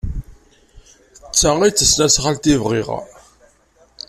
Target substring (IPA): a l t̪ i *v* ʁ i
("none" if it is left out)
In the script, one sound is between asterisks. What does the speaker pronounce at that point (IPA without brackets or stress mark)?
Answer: v